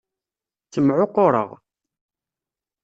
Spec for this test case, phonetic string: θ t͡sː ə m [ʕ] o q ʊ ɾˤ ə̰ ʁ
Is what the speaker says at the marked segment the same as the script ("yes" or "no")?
yes